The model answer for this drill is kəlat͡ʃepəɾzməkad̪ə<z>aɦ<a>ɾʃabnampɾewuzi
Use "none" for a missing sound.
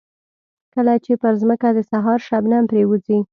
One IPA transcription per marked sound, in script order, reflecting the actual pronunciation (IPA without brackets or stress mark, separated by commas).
s, ɑ